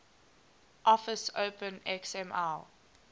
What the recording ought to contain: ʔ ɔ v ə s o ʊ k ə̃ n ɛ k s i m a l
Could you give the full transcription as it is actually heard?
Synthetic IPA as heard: ʔ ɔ f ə s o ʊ p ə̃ n ɛ k s ɛ m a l